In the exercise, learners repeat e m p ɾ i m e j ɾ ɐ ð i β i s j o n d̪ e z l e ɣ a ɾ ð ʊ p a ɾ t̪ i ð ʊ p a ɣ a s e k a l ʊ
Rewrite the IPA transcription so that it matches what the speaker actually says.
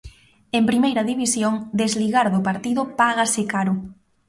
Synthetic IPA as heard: e m p ɾ i m e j ɾ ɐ ð i β i s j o ŋ d̪ e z l i ɣ a ɾ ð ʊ p a ɾ t̪ i ð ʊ p a ɣ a s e k a ɾ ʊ